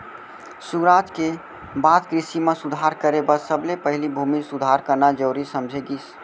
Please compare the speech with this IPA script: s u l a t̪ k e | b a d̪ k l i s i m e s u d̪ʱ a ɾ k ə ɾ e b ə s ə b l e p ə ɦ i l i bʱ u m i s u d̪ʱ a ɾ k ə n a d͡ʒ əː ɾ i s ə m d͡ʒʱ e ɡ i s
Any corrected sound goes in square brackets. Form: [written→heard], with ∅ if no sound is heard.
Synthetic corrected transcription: s u [l→ɾ] a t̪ k e | b a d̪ k [l→ɾ] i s i m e s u d̪ʱ a ɾ k ə ɾ e b ə s ə b l e p ə ɦ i l i bʱ u m i s u d̪ʱ a ɾ k ə n a d͡ʒ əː ɾ i s ə m d͡ʒʱ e ɡ i s